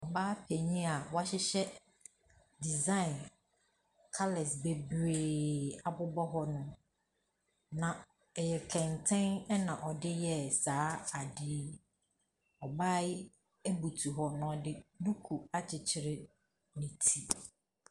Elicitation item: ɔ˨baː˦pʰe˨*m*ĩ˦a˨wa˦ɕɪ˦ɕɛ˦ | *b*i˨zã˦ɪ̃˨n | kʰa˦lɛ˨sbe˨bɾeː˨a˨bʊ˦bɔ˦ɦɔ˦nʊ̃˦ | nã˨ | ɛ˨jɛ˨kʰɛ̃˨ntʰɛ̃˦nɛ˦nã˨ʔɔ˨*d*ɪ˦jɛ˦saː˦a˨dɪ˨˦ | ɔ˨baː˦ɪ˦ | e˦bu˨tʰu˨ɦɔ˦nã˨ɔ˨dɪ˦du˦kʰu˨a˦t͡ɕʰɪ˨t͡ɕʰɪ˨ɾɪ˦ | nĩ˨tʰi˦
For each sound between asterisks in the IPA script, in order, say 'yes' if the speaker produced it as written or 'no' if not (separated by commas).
no, no, yes